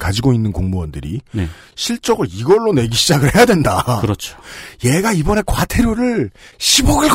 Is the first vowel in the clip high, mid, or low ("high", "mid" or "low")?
low